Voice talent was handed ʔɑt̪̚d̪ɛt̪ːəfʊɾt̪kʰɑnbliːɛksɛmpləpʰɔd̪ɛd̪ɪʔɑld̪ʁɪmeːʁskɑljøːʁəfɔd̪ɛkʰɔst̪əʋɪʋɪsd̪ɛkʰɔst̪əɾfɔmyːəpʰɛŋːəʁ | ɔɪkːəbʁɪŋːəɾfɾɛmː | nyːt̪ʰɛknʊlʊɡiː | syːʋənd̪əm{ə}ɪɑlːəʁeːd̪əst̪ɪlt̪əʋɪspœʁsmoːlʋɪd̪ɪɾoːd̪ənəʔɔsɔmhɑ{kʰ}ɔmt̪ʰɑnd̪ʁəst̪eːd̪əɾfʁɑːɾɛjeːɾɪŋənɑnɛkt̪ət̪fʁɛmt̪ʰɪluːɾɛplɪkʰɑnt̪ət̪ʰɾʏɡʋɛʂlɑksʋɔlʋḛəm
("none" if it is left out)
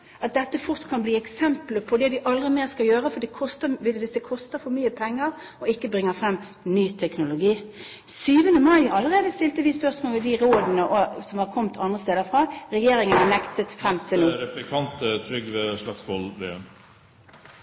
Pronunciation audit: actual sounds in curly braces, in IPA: ɑ, kʰ

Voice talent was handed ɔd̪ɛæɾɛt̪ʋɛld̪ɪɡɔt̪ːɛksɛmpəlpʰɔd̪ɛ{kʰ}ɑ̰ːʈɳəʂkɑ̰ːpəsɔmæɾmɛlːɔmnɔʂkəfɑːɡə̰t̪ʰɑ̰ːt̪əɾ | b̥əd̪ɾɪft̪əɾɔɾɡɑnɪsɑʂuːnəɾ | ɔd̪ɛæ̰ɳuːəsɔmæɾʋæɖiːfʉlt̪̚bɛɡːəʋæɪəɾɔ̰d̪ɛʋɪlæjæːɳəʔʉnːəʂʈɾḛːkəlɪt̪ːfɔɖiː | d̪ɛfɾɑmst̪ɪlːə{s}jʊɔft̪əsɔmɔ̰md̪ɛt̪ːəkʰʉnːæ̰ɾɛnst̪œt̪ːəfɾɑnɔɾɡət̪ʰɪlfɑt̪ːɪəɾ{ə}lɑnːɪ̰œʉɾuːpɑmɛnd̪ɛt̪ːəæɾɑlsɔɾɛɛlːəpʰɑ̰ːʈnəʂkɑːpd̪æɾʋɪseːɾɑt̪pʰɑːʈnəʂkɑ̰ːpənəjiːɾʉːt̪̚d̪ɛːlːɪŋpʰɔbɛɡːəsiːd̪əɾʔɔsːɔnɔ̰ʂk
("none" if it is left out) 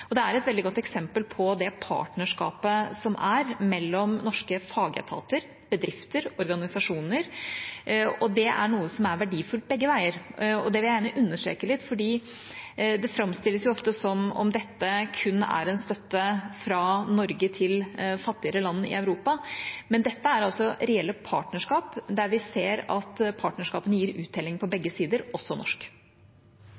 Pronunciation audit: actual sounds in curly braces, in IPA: pʰ, s, ə

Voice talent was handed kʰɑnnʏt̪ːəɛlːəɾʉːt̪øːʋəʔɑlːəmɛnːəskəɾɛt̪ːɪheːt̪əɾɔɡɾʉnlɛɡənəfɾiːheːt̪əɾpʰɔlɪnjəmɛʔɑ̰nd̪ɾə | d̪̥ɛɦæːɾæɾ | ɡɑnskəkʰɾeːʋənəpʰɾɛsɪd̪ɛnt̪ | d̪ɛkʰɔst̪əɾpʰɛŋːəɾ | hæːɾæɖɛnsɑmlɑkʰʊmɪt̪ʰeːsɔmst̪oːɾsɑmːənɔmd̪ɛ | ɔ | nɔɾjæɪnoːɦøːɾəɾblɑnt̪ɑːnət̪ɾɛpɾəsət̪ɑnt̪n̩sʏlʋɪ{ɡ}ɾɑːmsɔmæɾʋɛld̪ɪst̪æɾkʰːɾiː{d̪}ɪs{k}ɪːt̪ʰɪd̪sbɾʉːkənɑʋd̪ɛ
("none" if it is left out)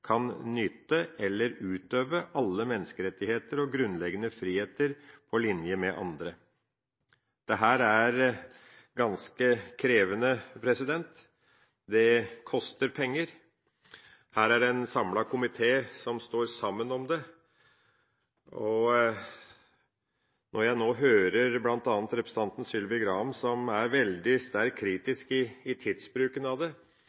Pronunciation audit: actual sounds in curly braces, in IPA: ɡ, t̪, k

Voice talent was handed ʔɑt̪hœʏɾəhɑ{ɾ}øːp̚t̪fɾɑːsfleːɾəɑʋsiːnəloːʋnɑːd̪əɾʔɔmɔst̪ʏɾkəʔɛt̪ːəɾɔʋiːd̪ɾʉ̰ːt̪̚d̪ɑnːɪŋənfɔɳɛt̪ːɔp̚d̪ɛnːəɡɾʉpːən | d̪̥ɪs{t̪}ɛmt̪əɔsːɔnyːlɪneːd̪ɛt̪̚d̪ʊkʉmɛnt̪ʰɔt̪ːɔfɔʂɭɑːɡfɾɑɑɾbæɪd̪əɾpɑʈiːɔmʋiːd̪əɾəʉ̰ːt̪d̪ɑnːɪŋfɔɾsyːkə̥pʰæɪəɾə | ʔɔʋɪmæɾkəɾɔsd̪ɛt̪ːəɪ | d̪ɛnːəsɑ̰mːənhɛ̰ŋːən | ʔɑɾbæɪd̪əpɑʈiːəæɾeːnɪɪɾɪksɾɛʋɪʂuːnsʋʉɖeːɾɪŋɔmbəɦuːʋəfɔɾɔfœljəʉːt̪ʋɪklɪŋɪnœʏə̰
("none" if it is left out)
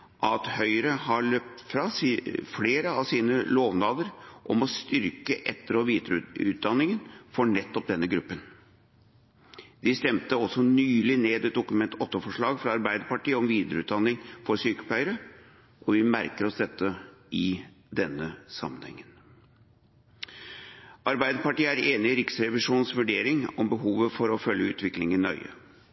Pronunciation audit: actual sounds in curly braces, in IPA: ɭ, t̪

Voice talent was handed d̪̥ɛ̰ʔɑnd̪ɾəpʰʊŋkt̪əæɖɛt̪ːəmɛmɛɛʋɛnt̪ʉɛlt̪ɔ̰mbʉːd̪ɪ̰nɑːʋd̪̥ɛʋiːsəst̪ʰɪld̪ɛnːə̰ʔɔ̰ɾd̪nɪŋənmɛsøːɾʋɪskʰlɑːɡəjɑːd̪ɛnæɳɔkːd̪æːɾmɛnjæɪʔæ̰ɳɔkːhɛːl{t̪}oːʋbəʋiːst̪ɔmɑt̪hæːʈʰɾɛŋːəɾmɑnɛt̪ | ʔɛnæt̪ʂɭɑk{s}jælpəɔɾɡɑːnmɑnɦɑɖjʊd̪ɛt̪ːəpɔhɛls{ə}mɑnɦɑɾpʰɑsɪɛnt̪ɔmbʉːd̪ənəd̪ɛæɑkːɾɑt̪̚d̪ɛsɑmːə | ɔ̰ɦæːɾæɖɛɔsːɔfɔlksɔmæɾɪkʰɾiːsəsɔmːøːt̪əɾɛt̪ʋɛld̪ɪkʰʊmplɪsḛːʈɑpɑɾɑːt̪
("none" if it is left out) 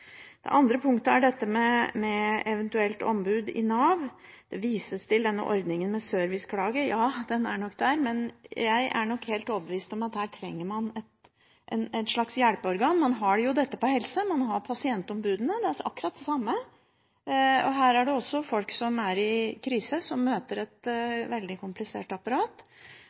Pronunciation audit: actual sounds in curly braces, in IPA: t̪, s, ə

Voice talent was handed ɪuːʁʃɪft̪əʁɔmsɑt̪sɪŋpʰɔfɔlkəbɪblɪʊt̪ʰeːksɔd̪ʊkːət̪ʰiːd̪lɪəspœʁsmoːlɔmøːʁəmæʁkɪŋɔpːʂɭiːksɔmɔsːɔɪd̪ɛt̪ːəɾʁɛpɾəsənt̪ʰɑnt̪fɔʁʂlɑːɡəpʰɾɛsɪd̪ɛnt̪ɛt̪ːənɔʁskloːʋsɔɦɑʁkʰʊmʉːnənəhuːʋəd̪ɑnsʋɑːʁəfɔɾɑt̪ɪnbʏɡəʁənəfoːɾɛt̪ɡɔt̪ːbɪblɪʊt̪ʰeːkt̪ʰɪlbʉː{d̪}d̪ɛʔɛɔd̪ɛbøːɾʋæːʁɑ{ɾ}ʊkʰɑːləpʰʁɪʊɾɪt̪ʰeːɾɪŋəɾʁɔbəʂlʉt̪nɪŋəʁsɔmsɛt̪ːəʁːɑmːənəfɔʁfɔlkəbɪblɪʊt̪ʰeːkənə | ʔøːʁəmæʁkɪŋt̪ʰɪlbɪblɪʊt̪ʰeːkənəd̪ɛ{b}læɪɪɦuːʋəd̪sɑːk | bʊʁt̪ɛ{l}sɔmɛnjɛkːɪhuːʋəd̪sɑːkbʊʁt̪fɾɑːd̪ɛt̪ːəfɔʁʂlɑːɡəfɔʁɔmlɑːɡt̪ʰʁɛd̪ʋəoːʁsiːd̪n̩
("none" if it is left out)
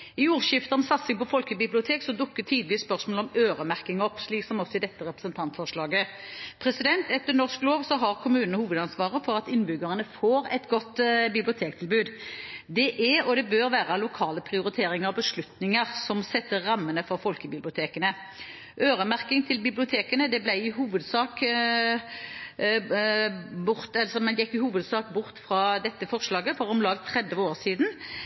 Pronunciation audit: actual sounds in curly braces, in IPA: d̪, l, b, l

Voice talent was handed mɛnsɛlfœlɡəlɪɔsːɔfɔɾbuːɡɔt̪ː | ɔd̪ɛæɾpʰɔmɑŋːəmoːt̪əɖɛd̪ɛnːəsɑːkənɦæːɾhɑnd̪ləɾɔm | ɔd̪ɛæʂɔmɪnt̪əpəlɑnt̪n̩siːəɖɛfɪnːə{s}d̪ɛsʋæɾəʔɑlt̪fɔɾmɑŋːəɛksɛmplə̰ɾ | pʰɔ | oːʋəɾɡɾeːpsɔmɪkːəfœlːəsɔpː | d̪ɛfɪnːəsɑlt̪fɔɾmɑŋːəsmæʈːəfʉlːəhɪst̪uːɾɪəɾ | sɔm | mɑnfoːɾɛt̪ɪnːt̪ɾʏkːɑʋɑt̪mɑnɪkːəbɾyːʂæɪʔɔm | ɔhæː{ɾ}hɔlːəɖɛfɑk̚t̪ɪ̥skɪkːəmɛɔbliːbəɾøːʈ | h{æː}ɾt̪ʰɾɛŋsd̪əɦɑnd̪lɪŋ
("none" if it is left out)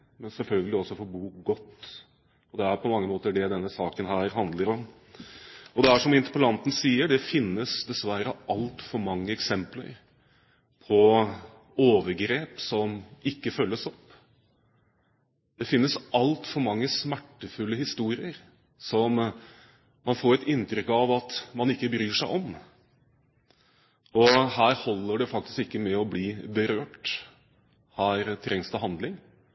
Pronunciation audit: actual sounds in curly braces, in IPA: s, ɾ, æː

